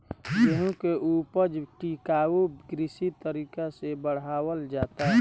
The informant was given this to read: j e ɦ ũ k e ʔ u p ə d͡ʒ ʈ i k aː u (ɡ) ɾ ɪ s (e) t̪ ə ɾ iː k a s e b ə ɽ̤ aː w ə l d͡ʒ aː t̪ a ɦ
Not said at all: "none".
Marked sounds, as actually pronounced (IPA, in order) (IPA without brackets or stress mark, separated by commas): ɡ, i